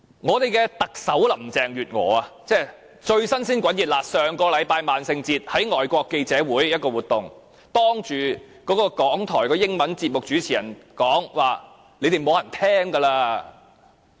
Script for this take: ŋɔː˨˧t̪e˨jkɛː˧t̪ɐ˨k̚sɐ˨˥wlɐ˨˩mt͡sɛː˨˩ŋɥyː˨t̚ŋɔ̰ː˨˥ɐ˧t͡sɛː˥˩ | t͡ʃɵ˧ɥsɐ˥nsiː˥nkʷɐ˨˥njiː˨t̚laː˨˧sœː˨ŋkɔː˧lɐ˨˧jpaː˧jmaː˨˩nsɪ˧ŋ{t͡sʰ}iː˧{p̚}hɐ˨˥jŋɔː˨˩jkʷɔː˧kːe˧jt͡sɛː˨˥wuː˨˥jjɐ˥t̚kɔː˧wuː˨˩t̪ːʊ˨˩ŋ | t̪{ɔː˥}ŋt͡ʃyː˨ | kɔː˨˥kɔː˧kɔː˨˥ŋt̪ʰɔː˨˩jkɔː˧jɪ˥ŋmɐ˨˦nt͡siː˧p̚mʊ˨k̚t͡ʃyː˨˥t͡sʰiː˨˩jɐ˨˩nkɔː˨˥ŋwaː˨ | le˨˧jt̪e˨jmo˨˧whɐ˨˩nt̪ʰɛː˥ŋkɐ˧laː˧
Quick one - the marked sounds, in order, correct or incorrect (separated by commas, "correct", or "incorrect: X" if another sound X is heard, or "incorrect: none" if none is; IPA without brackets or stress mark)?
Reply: incorrect: t͡s, incorrect: t̚, correct